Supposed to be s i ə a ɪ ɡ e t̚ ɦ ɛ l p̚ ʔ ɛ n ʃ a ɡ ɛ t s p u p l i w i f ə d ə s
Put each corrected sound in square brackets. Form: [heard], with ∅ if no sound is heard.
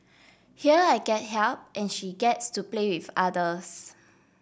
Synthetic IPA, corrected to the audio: [h] i ə a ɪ ɡ [ɛ] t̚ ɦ ɛ l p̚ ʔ [ɛ̃] n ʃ [i] ɡ ɛ t s [t] u p l [e] w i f [a] d ə s